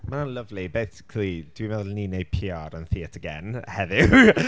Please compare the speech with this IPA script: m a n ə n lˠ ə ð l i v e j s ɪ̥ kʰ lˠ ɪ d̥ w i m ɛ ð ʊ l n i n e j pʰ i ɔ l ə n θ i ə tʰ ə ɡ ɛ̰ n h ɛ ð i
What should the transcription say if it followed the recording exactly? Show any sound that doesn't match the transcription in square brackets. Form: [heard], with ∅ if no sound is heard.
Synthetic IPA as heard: m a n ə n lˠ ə [v] l i [b] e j s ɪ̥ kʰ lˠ [i] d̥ w i m ɛ ð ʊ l n i n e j pʰ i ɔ [ɾ] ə n θ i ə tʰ ə ɡ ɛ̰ n h ɛ ð [ɪ]